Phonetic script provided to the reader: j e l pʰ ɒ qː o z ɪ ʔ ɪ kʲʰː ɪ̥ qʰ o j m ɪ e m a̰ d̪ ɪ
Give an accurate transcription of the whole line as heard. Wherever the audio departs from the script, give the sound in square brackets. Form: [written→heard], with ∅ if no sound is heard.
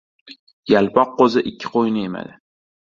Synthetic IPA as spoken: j [e→a] l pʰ ɒ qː o z ɪ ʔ ɪ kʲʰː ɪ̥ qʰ o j [m→n] ɪ e m a̰ d̪ ɪ

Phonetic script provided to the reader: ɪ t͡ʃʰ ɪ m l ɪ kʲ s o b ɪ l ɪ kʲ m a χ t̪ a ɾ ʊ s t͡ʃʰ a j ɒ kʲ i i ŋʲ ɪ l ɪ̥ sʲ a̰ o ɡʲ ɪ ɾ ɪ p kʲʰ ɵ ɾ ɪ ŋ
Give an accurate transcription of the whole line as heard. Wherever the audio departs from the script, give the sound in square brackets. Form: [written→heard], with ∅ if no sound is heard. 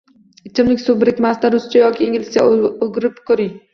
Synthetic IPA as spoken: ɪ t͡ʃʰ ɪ m l ɪ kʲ s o b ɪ [l→ɾ] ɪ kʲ m a [χ→s] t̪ a ɾ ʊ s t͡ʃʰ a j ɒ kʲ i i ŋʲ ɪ l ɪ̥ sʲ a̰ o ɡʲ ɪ ɾ ɪ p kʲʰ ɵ ɾ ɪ ŋ

